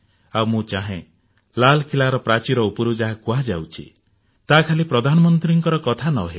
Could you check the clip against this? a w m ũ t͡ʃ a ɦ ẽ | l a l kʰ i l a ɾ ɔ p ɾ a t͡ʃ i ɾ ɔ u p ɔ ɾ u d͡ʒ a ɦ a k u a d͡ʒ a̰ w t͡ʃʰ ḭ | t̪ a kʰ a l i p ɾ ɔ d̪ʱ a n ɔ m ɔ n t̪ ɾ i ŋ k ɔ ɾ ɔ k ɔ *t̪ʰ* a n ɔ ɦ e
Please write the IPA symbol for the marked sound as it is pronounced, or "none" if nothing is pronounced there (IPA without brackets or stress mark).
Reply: t̪ʰ